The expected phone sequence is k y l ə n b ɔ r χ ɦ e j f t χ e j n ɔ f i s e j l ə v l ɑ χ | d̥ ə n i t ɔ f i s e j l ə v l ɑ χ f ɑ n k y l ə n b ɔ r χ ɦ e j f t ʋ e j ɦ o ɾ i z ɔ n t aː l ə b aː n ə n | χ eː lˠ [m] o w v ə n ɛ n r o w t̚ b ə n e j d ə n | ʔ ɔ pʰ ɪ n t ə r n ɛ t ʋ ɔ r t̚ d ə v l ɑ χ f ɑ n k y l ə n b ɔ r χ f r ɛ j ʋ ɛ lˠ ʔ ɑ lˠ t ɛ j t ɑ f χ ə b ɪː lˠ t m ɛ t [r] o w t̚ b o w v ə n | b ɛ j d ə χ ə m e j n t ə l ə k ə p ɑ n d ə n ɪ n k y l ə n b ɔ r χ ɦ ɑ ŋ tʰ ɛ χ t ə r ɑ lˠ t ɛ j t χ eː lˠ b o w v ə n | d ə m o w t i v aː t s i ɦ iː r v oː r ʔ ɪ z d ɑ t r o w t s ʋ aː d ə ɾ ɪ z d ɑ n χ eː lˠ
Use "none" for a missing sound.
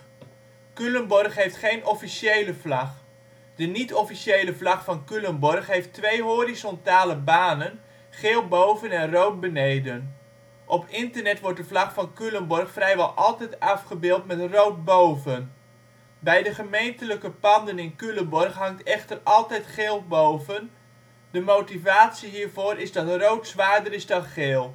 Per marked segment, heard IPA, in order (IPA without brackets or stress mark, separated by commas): b, r